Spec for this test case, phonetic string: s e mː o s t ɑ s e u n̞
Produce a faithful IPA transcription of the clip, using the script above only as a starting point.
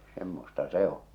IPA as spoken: s e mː o s t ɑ s e o n̞